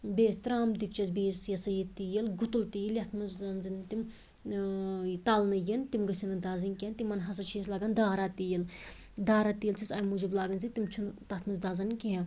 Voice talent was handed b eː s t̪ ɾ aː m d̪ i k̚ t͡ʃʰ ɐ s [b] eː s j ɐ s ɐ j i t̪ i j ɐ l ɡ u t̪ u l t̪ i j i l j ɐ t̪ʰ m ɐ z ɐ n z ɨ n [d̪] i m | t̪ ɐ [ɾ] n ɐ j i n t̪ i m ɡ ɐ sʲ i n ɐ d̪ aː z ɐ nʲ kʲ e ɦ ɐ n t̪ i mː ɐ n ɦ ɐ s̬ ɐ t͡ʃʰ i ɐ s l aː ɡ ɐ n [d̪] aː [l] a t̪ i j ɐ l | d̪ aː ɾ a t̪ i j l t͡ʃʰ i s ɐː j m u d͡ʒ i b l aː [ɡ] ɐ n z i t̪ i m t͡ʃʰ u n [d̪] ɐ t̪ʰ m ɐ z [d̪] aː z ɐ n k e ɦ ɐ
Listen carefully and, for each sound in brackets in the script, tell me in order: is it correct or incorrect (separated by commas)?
correct, incorrect, incorrect, correct, incorrect, correct, incorrect, correct